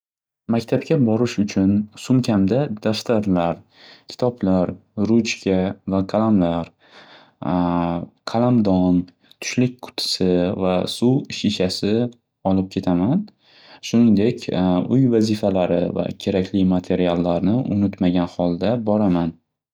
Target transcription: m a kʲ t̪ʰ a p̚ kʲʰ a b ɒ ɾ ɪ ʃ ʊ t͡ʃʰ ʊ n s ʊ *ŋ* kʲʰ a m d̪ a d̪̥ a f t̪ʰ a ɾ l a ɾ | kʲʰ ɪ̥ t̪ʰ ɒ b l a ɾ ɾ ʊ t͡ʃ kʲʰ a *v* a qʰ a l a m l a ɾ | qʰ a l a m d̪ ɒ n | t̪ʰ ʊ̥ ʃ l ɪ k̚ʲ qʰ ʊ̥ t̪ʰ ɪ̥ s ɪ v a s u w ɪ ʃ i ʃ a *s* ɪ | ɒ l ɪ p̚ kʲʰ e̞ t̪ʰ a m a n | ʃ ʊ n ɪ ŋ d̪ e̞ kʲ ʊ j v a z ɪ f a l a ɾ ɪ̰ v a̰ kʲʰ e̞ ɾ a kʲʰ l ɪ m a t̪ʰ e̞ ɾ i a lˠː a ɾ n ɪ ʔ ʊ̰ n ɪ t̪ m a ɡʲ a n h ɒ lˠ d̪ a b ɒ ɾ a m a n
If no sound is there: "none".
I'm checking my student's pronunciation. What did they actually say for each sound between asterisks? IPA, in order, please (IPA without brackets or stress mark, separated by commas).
m, v, s